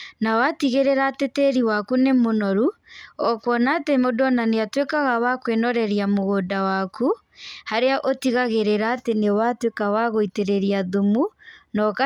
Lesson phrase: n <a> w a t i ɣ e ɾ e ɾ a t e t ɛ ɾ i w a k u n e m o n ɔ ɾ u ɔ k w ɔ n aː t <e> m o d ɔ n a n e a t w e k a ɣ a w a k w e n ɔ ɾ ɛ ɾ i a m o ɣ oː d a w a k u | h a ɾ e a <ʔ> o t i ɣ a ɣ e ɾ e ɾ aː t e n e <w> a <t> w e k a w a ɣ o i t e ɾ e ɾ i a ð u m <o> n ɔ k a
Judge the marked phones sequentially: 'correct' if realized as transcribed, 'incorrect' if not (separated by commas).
correct, correct, correct, correct, correct, incorrect